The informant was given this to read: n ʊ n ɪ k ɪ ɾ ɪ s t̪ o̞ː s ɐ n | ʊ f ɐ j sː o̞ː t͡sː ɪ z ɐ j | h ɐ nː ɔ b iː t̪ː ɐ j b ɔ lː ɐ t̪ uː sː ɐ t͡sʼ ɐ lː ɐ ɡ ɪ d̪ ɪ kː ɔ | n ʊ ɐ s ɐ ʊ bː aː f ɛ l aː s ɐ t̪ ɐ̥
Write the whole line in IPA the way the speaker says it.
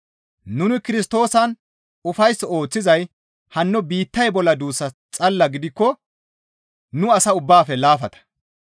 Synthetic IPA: n ʊ n ɪ k ɪ ɾ ɪ s t̪ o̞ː s ɐ n | ʊ f ɐ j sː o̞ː t͡sː ɪ z ɐ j | h ɐ nː ɔ b iː t̪ː ɐ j b ɔ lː ɐ d̪ uː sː ɐ t͡sʼ ɐ lː ɐ ɡ ɪ d̪ ɪ kː ɔ | n ʊ ɐ s ɐ ʊ bː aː f ɛ l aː f ɐ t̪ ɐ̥